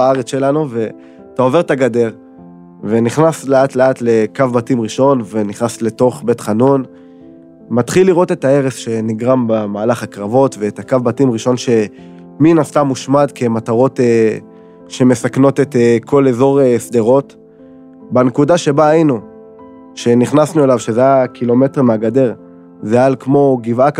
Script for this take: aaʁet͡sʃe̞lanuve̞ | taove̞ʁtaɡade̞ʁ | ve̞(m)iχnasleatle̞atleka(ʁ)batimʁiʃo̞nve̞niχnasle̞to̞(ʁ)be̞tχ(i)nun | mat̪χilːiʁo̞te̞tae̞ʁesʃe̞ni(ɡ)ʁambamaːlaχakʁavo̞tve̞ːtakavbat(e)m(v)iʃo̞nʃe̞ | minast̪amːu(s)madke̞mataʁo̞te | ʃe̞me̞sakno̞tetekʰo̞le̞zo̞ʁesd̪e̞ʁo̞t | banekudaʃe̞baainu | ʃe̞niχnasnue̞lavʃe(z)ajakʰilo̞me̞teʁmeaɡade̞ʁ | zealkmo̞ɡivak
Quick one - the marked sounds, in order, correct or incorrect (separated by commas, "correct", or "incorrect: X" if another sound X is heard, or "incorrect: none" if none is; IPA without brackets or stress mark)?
incorrect: n, incorrect: v, incorrect: χ, incorrect: a, correct, incorrect: i, incorrect: ʁ, incorrect: ʃ, correct